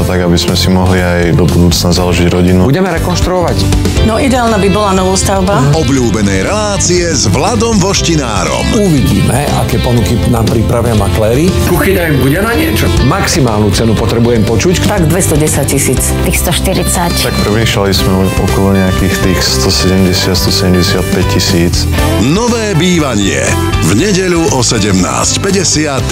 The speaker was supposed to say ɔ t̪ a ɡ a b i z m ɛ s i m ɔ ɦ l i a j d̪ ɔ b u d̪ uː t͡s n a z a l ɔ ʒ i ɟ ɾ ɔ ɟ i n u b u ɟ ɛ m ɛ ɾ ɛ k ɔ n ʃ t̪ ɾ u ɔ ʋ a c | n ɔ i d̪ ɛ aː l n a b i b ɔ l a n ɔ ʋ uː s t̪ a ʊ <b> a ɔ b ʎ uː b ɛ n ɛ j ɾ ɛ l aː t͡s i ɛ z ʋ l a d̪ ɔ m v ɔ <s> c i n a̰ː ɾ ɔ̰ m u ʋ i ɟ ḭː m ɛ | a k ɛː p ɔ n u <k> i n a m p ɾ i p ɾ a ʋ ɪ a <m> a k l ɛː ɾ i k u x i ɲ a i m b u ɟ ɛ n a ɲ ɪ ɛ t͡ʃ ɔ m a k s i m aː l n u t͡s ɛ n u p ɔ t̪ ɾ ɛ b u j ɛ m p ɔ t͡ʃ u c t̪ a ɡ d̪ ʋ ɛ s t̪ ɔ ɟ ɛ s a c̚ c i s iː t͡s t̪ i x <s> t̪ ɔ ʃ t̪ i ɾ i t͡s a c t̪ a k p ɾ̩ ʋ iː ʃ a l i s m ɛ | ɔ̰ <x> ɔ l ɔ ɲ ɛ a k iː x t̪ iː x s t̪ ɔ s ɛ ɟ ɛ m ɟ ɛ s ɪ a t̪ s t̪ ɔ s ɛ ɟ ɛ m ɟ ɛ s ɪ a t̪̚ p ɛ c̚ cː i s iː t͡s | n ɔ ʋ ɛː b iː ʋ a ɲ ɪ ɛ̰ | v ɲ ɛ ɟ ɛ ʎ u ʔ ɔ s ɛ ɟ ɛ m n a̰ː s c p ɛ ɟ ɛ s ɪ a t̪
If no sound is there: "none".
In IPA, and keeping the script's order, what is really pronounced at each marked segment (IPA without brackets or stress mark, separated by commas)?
b, ʃ, k, m, s, k